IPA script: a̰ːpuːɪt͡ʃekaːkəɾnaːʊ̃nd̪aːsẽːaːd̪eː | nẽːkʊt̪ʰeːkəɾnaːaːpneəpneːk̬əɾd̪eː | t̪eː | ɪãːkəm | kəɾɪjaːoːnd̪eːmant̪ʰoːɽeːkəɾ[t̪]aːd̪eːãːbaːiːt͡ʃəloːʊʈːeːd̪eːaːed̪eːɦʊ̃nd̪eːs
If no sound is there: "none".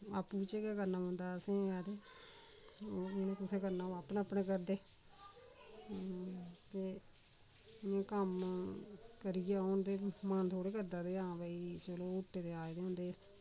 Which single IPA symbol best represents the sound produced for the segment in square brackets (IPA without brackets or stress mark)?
d̪